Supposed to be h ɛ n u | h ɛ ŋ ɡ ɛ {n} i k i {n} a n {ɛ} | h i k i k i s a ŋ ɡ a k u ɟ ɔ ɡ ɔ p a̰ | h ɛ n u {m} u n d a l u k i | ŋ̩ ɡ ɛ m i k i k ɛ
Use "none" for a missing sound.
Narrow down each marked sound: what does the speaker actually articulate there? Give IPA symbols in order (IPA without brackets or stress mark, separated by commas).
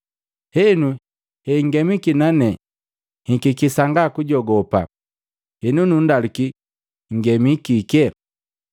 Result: m, n, ɛ, n